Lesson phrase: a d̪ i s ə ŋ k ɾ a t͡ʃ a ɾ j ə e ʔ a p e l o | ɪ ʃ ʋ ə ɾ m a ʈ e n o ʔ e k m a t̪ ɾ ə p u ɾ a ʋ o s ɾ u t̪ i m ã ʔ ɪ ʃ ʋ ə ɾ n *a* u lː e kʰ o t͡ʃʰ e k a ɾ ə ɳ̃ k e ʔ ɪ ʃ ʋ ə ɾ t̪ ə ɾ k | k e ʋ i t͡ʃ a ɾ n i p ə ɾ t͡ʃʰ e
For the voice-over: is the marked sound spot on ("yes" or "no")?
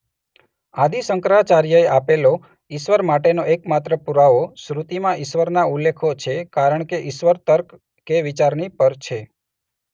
yes